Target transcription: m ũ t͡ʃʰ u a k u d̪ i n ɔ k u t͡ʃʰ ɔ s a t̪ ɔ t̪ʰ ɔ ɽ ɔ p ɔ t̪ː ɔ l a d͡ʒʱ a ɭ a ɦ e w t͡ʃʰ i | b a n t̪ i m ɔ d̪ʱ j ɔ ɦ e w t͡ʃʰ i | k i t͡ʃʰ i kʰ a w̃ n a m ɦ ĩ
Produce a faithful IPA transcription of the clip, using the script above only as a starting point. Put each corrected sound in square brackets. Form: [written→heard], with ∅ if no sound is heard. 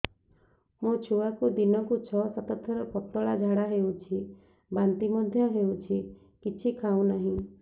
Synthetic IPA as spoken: m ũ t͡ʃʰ u a k u d̪ i n ɔ k u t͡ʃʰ ɔ s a t̪ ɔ t̪ʰ ɔ [ɽ→ɾ] ɔ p ɔ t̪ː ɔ [l→ɭ] a d͡ʒʱ a [ɭ→ɽ] a ɦ e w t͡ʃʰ i | b a n t̪ i m ɔ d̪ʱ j ɔ ɦ e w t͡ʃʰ i | k i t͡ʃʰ i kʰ a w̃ n a [m→∅] ɦ ĩ